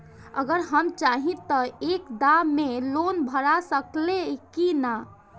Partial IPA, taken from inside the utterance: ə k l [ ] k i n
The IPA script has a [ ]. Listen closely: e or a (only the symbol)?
e